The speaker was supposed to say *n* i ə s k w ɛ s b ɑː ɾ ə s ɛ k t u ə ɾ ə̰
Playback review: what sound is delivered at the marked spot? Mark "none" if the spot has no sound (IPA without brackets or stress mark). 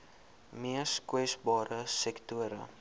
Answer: m